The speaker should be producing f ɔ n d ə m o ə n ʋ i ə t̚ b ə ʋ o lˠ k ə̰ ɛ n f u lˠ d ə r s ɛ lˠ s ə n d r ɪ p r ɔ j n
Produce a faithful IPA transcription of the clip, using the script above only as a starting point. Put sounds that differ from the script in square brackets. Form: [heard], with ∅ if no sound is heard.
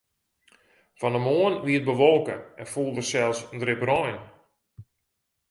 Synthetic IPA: f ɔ n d ə m o ə n ʋ i ə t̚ b ə ʋ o lˠ k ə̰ ɛ n f u lˠ d ə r s ɛ lˠ s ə n d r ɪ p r ɔ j n